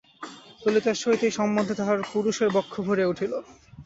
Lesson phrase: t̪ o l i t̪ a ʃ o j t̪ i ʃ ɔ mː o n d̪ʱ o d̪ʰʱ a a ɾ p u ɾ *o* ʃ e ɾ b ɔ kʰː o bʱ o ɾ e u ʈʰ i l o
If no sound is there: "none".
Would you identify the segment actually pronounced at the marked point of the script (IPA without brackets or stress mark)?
u